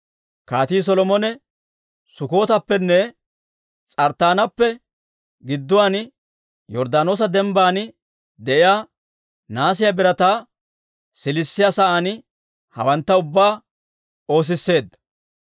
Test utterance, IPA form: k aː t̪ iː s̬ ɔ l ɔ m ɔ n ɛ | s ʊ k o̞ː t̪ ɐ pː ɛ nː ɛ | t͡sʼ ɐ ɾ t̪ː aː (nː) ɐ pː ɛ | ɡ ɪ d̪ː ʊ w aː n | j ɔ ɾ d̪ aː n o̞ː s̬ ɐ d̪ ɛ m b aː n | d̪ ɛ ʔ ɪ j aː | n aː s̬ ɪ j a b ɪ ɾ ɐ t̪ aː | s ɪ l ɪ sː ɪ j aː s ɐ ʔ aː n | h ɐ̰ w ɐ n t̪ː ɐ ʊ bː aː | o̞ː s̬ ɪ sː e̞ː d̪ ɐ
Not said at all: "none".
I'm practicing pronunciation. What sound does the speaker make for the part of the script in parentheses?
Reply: n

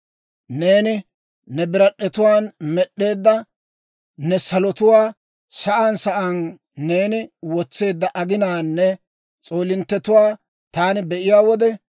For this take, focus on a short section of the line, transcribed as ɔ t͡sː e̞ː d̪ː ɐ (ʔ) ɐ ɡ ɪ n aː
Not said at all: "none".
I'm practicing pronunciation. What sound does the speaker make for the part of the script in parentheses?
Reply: ʔ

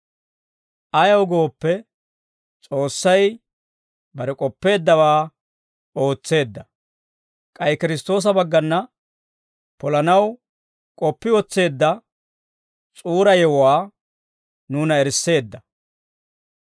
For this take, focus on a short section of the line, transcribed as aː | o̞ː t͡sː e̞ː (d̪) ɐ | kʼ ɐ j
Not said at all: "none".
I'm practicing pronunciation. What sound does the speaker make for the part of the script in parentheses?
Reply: d̪ː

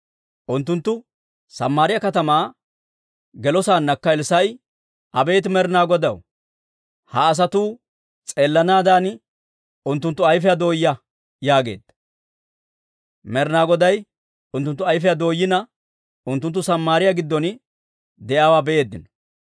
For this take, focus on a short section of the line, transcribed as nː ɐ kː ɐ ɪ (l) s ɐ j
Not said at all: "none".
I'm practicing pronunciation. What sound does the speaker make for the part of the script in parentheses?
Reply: l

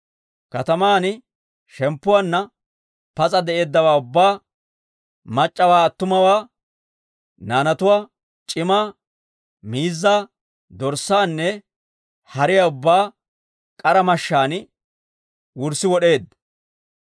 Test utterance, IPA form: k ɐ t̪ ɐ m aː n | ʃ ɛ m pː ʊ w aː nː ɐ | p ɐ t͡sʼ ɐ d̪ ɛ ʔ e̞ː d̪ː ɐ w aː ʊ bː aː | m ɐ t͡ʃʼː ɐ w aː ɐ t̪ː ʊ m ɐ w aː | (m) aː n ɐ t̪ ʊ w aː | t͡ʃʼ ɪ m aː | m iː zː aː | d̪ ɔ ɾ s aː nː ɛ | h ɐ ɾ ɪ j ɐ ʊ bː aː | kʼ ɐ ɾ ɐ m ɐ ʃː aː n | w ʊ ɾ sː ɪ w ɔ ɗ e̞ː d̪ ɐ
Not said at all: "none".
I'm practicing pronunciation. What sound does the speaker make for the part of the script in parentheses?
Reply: n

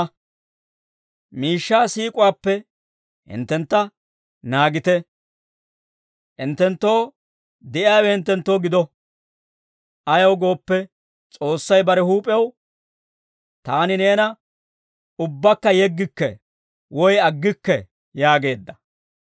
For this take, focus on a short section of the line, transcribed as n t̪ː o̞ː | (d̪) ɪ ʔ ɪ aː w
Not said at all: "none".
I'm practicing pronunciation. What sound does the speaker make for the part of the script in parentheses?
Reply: d̪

